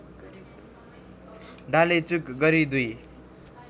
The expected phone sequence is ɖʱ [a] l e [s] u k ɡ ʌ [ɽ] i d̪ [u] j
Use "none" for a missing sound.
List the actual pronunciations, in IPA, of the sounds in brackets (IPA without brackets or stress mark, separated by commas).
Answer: a, t͡s, ɾ, u